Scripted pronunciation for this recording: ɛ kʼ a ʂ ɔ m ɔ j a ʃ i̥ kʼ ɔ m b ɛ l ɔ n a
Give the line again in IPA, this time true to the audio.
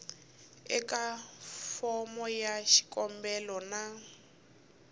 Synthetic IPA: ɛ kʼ a f ɔ m ɔ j a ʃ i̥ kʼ ɔ m b ɛ l ɔ n a